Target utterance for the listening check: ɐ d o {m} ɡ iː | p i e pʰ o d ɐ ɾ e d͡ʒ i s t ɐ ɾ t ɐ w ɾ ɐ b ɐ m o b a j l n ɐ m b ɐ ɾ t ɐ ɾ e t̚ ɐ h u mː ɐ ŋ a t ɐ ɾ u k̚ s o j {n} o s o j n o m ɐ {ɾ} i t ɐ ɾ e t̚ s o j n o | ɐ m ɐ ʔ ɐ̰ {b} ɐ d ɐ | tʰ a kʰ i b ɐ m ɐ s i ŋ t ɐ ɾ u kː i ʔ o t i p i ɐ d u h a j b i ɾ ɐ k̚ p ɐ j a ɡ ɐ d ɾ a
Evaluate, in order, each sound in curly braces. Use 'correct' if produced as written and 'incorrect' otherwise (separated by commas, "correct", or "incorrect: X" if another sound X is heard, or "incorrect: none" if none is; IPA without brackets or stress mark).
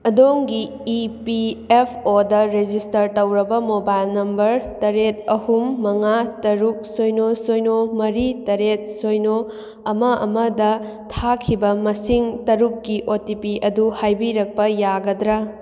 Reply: incorrect: ŋ, correct, correct, incorrect: m